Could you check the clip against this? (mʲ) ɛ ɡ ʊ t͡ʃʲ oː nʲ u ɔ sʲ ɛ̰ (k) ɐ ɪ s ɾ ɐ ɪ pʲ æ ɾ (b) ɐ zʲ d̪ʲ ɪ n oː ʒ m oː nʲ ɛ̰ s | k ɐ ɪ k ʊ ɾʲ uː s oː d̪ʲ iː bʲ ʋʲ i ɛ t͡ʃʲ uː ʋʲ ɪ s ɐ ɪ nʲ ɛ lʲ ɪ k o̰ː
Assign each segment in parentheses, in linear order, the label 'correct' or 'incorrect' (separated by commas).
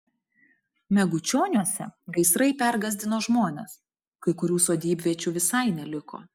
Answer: correct, incorrect, incorrect